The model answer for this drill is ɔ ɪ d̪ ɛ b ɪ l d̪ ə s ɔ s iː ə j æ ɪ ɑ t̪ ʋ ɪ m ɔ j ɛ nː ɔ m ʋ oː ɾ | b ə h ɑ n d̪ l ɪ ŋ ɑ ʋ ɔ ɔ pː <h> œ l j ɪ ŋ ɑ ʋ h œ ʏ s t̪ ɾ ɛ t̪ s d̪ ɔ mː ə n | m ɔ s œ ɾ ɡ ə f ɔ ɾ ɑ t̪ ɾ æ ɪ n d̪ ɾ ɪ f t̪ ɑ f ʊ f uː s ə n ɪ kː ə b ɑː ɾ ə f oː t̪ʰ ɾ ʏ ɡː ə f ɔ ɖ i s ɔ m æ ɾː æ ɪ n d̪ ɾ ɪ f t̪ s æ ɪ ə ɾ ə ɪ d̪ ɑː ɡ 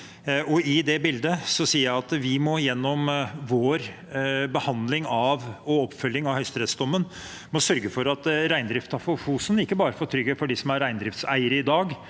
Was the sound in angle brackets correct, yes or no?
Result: no